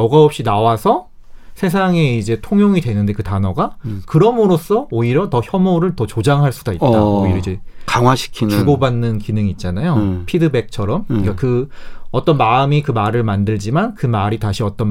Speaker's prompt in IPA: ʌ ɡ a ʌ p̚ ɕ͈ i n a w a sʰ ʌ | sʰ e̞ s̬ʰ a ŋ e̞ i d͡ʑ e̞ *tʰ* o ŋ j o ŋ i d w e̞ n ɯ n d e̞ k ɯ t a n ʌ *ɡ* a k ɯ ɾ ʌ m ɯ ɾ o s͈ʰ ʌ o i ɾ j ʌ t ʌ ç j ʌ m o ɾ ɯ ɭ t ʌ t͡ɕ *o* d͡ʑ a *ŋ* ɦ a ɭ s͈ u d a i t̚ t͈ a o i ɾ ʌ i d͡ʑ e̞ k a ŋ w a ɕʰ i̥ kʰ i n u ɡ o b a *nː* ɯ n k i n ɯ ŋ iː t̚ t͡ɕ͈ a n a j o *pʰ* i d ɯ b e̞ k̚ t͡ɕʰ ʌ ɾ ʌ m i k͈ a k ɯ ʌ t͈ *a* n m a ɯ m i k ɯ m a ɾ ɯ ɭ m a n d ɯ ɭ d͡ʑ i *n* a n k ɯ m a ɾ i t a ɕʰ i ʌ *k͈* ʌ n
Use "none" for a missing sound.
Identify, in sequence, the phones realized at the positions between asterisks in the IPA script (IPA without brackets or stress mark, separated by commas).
tʰ, ɡ, o, ŋ, nː, pʰ, ʌ, m, t͈